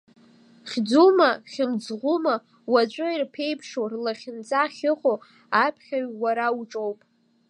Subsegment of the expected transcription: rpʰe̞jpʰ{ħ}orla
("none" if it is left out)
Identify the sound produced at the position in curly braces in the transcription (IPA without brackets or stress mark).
ʂ